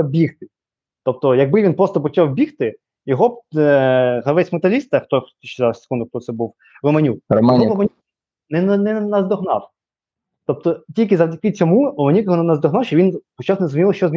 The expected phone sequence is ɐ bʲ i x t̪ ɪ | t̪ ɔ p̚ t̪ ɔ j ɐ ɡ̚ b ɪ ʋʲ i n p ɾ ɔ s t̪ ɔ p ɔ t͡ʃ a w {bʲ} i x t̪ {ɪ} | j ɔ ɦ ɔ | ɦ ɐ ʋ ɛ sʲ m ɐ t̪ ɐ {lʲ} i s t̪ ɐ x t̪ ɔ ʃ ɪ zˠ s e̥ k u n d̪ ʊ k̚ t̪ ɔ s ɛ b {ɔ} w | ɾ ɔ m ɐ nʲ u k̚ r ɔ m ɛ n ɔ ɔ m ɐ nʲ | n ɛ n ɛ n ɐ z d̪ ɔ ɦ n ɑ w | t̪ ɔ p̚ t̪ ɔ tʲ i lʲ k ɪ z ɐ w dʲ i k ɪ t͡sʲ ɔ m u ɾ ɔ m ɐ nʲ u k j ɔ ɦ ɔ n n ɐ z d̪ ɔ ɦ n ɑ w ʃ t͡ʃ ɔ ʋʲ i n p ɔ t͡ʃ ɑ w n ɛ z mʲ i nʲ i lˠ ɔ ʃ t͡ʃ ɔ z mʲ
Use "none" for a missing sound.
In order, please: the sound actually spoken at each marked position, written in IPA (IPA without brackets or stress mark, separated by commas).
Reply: bʲ, ɪ, lʲ, u